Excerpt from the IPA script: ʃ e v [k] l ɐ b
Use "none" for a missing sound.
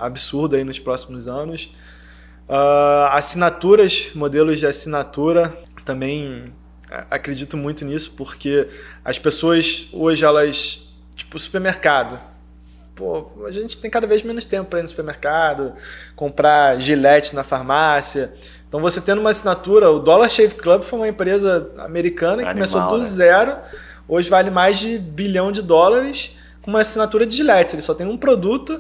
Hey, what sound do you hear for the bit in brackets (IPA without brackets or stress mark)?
k